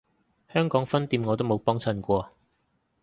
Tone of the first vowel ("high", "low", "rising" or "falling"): high